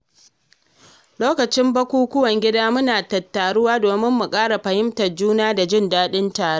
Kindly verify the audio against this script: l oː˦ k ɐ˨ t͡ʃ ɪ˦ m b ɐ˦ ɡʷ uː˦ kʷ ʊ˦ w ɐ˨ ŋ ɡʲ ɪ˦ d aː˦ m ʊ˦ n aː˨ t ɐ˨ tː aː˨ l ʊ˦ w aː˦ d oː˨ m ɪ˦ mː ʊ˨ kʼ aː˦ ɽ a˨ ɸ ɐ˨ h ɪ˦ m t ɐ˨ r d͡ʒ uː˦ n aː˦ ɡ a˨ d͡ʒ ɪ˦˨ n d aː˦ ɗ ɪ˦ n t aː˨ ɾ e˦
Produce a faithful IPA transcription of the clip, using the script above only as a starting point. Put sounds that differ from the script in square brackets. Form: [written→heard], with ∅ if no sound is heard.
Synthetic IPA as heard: l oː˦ k ɐ˨ t͡ʃ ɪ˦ m b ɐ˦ [ɡʷ→kʷ] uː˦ kʷ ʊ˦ w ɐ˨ ŋ ɡʲ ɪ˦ d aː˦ m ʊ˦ n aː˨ t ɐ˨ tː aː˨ [l→ɽ] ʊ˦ w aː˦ d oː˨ m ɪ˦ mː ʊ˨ kʼ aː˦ ɽ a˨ ɸ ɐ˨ h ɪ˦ m t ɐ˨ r d͡ʒ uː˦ n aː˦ [ɡ→d] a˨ d͡ʒ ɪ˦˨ n d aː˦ ɗ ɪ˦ n t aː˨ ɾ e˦